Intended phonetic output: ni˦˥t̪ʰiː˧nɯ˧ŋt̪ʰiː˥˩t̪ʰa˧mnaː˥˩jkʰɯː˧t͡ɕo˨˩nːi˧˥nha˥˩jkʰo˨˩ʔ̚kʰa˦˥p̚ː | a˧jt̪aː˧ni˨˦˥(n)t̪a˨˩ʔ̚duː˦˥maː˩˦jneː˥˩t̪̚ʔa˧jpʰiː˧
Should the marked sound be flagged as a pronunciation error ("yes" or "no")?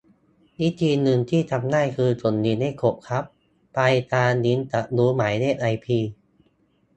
no